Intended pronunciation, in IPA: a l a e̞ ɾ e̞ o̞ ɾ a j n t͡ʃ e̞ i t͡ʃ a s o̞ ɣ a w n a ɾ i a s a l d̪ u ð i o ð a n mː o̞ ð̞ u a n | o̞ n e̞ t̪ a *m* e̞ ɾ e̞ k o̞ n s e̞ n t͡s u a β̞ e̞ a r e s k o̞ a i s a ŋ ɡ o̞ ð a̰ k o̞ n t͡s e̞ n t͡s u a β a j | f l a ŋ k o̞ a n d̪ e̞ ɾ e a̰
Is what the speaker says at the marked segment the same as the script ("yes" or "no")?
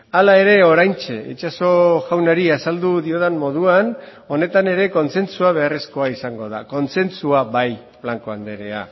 no